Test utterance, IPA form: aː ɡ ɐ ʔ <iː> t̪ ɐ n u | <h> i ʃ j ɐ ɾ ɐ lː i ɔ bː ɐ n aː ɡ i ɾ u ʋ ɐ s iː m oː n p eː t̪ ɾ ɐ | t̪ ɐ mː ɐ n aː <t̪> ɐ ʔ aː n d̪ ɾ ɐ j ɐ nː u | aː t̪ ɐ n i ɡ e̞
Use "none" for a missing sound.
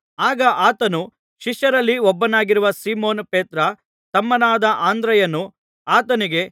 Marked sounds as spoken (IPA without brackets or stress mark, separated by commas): aː, ʃ, d̪